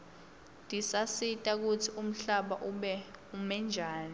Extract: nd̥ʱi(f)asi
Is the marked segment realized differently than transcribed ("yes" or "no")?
yes